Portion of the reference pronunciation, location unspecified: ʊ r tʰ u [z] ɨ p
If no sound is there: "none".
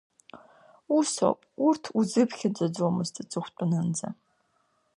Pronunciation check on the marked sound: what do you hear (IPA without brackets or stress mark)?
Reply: z